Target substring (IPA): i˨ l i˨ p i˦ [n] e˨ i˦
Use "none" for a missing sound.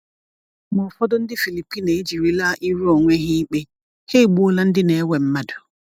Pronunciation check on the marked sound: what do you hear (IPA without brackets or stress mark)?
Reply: n